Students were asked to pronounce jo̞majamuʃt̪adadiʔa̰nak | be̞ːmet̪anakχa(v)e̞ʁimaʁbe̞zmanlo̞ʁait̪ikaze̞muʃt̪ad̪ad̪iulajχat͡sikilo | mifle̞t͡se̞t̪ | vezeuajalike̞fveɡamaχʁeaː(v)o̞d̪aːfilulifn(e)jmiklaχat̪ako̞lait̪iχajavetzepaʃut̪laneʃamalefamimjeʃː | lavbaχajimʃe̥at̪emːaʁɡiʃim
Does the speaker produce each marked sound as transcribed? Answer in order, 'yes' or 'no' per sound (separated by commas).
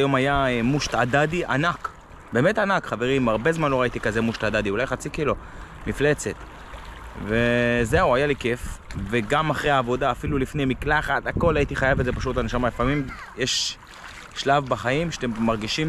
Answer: yes, yes, yes